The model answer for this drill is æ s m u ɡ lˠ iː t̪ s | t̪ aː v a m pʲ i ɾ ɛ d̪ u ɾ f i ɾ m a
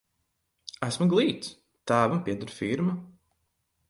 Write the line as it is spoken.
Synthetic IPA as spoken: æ s m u ɡ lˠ iː t̪ s | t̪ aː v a m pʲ i ɛ d̪ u ɾ f i ɾ m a